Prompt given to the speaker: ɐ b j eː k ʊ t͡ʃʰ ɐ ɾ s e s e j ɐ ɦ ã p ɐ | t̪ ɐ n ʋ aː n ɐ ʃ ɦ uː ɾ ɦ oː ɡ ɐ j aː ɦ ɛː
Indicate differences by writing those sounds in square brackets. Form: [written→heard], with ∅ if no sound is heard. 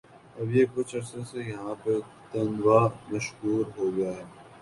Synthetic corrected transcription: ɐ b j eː k ʊ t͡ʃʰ ɐ ɾ s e s e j ɐ ɦ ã p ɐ | t̪ ɐ n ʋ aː [n→m] ɐ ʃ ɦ uː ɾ ɦ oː ɡ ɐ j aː ɦ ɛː